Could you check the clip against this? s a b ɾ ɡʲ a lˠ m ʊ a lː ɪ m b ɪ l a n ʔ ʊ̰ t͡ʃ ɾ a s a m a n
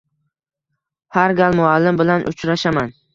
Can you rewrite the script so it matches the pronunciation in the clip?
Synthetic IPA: h a ɾ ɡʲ a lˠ m ʊ a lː ɪ m b ɪ l a n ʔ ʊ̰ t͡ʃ ɾ a ʃ a m a n

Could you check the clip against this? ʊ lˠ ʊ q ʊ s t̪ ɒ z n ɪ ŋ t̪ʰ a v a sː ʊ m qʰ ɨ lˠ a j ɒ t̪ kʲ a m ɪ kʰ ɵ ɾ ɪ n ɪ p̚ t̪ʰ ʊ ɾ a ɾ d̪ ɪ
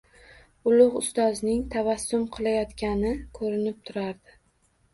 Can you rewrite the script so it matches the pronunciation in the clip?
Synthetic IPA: ʊ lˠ ʊ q ʊ s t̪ ɒ z n ɪ ŋ t̪ʰ a v a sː ʊ m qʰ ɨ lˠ a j ɒ t̪ kʲ a n ɪ kʰ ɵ ɾ ɪ n ɪ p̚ t̪ʰ ʊ ɾ a ɾ d̪ ɪ

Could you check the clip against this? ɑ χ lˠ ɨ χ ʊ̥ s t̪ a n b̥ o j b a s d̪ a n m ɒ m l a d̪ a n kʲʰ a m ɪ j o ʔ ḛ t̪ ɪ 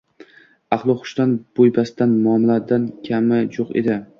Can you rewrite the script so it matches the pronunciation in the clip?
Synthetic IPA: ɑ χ lˠ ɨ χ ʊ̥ ʃ t̪ a n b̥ o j b a s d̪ a n m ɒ m l a d̪ a n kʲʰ a m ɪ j o q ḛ d̪ ɪ

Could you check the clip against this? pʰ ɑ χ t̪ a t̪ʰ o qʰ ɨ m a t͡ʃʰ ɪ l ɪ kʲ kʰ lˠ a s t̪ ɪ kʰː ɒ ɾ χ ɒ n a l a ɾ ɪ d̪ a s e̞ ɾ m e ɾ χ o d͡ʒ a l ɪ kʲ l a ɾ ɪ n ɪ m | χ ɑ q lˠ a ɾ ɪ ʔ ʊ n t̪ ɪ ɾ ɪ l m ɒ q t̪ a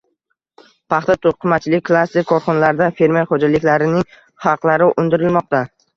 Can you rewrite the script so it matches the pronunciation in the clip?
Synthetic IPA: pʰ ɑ χ t̪ a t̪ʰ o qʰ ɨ m a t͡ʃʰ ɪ l ɪ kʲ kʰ lˠ a s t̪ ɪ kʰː ɒ ɾ χ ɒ n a l a ɾ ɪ d̪ a f e̞ ɾ m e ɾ χ o d͡ʒ a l ɪ kʲ l a ɾ ɪ n ɪ ŋ | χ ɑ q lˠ a ɾ ɪ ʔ ʊ n d̪ ɪ ɾ ɪ l m ɒ q t̪ a

